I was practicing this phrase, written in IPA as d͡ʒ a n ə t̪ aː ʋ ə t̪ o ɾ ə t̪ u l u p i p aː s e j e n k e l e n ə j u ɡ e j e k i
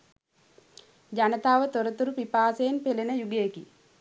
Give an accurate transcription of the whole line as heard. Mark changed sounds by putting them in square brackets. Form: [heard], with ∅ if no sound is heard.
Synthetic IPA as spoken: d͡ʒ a n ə t̪ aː ʋ ə t̪ o ɾ ə t̪ u [ɾ] u p i p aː s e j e n [p] e l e n ə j u ɡ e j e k i